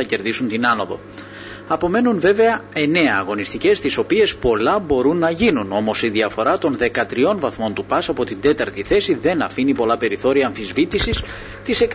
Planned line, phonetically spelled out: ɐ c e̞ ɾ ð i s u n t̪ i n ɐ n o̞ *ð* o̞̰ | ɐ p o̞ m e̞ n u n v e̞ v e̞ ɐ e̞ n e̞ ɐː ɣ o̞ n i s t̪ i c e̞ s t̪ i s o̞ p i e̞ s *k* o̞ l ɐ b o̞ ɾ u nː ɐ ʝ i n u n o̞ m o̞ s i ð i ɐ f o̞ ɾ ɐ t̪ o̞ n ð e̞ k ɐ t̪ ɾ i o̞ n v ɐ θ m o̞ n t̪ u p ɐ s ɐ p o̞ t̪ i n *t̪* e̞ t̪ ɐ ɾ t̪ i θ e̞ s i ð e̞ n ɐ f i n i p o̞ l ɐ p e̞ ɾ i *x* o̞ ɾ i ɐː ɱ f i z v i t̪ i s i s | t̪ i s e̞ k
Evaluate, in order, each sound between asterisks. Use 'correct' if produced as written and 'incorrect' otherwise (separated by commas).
correct, incorrect, incorrect, incorrect